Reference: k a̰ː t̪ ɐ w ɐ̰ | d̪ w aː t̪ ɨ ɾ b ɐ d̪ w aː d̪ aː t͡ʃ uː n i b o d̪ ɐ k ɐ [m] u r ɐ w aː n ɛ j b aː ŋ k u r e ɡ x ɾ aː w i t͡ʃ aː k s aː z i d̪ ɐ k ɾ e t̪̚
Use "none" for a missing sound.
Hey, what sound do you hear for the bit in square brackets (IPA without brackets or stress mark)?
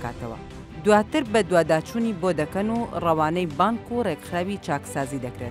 n